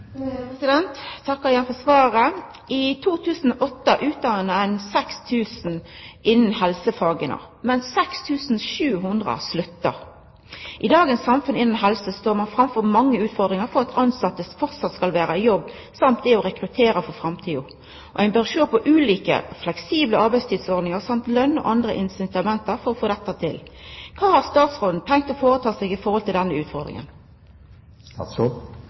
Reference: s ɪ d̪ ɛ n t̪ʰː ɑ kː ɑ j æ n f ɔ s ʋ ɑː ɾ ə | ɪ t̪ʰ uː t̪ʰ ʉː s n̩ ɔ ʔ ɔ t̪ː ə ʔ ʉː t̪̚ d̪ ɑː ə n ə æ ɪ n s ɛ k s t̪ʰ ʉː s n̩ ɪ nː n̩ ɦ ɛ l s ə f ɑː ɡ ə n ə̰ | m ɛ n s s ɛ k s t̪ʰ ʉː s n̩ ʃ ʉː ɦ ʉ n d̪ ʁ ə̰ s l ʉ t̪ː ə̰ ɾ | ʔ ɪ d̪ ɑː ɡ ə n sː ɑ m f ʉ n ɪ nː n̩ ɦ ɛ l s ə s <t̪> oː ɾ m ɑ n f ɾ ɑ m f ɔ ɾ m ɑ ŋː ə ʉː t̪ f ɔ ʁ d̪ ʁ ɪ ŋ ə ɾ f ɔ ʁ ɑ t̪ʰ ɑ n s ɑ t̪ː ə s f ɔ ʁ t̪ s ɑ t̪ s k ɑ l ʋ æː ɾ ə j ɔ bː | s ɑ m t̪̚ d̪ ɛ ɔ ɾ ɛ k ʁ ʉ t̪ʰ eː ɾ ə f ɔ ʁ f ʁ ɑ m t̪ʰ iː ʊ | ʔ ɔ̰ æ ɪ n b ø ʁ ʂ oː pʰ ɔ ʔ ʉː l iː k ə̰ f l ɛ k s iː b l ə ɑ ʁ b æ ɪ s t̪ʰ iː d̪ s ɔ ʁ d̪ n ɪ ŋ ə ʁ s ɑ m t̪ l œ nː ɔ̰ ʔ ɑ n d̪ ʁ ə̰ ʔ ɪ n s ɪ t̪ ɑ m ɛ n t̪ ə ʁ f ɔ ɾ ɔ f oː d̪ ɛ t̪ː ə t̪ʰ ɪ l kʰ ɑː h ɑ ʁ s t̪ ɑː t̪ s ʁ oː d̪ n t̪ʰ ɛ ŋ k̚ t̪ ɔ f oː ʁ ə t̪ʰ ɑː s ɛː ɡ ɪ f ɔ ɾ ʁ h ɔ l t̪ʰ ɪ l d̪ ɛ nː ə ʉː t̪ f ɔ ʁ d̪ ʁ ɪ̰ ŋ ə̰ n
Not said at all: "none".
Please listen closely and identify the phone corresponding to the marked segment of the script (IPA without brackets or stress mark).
t̪